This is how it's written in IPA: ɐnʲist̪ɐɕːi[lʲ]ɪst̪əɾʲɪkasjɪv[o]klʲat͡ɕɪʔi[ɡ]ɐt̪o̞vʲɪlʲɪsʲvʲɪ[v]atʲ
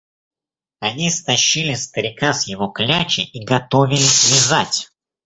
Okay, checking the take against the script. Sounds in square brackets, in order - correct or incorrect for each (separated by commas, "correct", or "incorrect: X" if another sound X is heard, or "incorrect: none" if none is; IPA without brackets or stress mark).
correct, correct, correct, incorrect: z